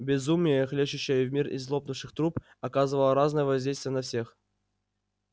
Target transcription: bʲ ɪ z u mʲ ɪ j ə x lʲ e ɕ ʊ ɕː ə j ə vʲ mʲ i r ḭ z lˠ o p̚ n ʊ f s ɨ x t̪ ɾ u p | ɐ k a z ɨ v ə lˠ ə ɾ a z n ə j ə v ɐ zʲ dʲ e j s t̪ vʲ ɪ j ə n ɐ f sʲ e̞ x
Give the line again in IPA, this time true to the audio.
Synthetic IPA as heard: bʲ ɪ z u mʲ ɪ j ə x lʲ e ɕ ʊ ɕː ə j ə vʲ mʲ i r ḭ z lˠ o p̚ n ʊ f ʂ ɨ x t̪ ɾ u p | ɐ k a z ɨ v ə lˠ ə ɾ a z n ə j ə v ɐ zʲ dʲ e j s t̪ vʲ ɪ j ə n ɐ f sʲ e̞ x